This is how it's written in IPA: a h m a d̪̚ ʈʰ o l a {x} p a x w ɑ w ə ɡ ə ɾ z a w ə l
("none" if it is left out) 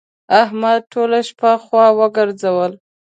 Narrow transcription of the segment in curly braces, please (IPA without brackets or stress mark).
ʃ